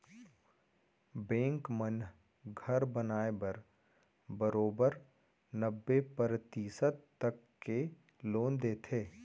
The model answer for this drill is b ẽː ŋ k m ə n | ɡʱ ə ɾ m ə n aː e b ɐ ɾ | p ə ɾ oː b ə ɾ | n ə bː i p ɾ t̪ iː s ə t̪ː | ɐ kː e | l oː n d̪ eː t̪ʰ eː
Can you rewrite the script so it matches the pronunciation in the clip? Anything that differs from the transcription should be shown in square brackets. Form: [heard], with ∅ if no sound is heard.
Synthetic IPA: b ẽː ŋ k m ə n | ɡʱ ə ɾ [b] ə n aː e b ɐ ɾ | [b] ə ɾ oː b ə ɾ | n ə bː [e] p ɾ t̪ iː s ə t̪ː | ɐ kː e | l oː n d̪ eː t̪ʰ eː

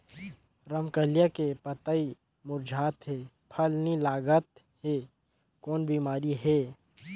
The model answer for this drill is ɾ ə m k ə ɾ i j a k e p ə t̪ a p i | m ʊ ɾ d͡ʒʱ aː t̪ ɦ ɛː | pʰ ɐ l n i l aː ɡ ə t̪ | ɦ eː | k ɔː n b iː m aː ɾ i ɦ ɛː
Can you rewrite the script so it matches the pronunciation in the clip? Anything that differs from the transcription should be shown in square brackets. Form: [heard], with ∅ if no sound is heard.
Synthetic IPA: ɾ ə m k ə [l] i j a k e p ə t̪ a [∅] i | m ʊ ɾ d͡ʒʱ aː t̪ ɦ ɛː | pʰ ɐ l n i l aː ɡ ə t̪ | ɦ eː | k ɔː n b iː m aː ɾ i ɦ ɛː

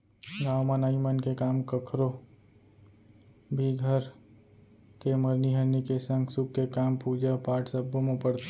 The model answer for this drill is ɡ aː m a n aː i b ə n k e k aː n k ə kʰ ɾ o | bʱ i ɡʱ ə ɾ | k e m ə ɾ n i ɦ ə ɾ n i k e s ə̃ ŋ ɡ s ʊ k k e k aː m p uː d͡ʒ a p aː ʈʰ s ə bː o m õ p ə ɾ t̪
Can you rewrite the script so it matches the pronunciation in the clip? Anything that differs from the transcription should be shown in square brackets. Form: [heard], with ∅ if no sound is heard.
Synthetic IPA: ɡ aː m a n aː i [m] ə n k e k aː [m] k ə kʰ ɾ o | bʱ i ɡʱ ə ɾ | k e m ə ɾ n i ɦ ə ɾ n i k e s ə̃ ŋ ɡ s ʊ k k e k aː m p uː d͡ʒ a p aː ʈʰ s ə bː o m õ p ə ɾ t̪

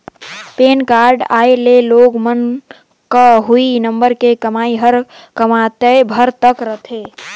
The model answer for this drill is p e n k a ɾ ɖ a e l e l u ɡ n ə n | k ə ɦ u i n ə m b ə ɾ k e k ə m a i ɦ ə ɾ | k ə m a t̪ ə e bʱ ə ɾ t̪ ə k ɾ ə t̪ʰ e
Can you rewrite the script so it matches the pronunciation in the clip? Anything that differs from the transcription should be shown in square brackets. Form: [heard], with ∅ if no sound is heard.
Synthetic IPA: p e n k a ɾ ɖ a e l e l [o] ɡ [m] ə n | k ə ɦ u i n ə m b ə ɾ k e k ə m a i ɦ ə ɾ | k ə m a t̪ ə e bʱ ə ɾ t̪ ə k ɾ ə t̪ʰ e

